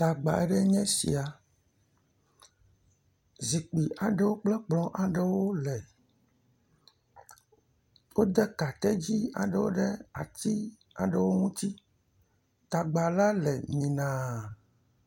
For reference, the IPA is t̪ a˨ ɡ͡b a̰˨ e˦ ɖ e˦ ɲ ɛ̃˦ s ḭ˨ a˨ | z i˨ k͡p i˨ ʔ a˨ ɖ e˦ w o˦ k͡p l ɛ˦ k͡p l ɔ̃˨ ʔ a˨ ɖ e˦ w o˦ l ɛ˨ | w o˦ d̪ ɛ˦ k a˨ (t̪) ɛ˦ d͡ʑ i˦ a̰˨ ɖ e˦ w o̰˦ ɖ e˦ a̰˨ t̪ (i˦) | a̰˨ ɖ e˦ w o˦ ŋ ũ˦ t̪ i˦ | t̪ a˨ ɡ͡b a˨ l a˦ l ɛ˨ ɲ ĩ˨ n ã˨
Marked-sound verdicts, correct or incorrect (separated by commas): correct, correct